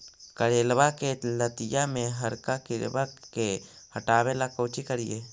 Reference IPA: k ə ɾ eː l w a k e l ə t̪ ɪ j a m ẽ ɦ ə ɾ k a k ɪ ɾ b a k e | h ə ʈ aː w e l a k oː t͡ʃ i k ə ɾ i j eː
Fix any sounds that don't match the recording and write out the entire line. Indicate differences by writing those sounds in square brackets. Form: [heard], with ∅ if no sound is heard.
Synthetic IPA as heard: k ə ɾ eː l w a k e l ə t̪ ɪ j a m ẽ ɦ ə ɾ k a k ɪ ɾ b a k e | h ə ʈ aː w e l a k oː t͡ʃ i k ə ɾ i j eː